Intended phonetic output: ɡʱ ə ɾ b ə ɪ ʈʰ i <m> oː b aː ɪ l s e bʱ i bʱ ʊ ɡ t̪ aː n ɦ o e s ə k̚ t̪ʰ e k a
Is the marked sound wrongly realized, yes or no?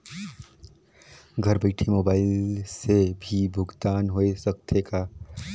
no